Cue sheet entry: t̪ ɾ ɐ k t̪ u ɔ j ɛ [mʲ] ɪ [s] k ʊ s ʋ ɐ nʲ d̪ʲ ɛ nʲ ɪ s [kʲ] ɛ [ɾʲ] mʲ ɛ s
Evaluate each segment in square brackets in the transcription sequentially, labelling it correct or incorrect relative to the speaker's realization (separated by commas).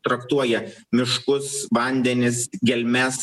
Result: correct, incorrect, incorrect, incorrect